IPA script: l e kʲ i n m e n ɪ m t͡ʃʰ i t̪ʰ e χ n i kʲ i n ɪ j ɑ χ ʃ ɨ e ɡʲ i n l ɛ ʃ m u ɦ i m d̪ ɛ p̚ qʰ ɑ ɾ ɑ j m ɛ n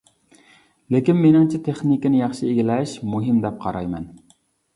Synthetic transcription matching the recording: l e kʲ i n m e n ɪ ŋ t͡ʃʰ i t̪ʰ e χ n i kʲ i n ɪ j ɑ χ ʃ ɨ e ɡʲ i l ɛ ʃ m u ɦ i m d̪ ɛ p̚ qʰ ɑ ɾ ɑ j m ɛ n